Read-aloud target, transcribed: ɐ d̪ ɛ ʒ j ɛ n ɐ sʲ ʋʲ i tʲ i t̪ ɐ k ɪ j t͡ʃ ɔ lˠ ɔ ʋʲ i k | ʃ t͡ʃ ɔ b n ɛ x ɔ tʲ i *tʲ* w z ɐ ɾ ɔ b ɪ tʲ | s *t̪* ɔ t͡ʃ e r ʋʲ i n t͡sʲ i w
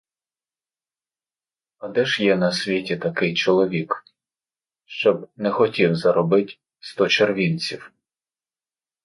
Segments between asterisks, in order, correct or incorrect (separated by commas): incorrect, correct